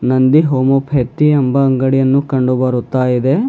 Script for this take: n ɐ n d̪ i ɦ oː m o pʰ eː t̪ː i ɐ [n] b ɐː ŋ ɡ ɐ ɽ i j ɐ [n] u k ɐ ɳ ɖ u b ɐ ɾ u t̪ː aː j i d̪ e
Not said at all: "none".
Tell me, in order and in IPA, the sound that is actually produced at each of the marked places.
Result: m, nː

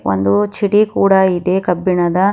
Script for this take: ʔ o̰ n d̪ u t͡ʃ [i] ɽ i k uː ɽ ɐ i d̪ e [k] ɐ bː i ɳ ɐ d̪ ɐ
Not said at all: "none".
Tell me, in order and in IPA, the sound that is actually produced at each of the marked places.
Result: i, k

